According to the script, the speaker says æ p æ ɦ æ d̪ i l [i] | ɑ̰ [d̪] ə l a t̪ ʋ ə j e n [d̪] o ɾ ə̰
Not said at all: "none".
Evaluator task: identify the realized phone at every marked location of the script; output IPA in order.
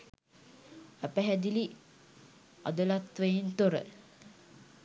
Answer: i, d̪, t̪

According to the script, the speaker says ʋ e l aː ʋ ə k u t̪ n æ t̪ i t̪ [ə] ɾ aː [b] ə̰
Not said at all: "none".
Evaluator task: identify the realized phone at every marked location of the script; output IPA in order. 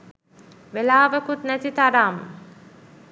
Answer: a, m

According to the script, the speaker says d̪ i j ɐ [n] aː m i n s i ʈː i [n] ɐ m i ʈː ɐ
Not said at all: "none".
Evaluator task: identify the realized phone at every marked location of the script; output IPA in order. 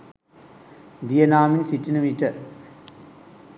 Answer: n, n

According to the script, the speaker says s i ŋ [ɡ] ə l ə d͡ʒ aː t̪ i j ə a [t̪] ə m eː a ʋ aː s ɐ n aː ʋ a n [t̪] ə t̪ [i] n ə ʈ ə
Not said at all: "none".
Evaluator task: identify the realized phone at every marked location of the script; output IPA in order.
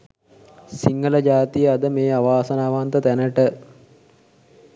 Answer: ɡ, d̪, t̪, æ

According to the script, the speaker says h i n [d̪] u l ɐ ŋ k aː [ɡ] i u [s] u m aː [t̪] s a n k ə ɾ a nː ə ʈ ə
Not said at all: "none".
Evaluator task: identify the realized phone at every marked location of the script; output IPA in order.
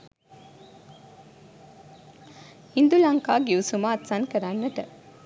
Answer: d̪, ɡ, s, t̪

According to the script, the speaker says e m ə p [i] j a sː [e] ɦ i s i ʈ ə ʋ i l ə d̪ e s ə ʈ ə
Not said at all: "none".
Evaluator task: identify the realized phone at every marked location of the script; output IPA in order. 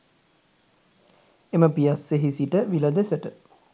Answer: i, e

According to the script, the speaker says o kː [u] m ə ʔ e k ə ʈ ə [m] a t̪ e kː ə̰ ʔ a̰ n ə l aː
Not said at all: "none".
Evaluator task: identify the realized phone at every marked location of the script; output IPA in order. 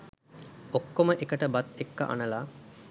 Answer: o, b

